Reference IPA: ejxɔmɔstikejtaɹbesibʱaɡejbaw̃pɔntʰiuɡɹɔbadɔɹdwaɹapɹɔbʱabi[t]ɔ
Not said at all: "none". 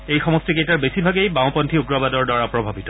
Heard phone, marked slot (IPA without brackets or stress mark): t